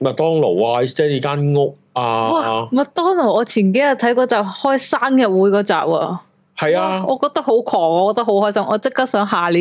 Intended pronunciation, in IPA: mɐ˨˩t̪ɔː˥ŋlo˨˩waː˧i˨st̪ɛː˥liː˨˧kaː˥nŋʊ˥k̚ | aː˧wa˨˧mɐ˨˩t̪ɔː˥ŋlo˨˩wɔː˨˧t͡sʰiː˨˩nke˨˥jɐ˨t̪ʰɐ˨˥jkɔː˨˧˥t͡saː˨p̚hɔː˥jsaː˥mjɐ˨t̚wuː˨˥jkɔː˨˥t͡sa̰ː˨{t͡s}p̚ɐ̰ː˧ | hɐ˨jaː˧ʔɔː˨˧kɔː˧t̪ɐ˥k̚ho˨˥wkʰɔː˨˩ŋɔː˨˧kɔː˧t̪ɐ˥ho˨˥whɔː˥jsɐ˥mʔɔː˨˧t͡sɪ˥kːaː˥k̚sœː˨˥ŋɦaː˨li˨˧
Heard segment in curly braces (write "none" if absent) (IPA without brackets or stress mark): none